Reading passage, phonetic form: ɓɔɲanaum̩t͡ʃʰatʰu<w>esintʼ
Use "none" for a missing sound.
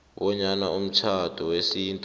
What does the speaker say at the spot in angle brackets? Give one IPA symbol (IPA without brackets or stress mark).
w